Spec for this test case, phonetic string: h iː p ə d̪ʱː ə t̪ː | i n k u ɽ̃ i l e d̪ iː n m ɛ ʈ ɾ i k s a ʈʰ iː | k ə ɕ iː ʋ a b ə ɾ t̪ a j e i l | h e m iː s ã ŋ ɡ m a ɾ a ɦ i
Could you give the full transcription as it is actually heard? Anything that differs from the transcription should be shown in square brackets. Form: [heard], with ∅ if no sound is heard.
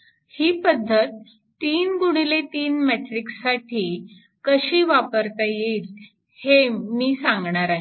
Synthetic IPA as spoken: h iː p ə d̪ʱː ə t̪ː | [iː] n [ɡ] u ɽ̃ i l e [t̪] iː n m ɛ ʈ ɾ i k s a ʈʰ iː | k ə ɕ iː ʋ a [p] ə ɾ t̪ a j e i l | h e m iː s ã ŋ ɡ [ɳ] a ɾ a ɦ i